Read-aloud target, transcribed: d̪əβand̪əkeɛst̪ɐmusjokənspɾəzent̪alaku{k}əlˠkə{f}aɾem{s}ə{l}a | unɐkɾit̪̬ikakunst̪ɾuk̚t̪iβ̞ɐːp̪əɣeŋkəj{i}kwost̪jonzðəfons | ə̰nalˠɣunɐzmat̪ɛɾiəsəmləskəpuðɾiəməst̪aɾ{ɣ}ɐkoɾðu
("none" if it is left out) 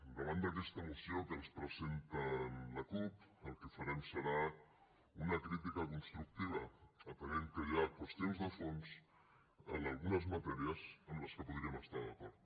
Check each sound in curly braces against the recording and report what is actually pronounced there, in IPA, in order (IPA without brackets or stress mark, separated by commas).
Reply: p, f, s, ɾ, a, ð